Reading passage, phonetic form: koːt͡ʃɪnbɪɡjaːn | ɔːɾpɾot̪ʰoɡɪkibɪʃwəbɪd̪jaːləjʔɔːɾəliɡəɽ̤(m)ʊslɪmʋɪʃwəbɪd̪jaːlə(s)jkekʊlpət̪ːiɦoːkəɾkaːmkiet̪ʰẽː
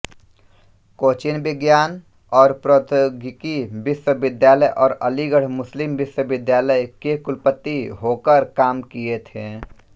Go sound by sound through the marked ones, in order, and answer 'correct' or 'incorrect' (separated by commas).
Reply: correct, incorrect